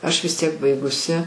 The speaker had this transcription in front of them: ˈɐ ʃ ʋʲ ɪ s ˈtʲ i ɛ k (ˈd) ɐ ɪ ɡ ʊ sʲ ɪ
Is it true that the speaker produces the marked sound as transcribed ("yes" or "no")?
no